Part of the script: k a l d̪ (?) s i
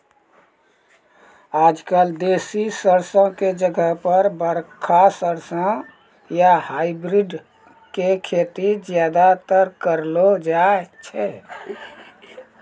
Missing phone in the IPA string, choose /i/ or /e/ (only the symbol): e